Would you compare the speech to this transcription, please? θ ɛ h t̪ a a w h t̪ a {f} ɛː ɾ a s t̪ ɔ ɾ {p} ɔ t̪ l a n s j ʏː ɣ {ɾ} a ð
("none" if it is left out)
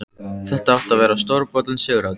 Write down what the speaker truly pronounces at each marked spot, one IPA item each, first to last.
v, p, ɾ

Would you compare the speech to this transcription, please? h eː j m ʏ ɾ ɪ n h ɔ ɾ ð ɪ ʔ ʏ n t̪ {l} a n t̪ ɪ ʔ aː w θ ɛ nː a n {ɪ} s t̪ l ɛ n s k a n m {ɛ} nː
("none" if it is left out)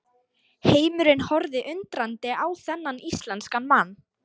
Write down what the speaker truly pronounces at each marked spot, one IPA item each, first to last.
ɾ, i, a

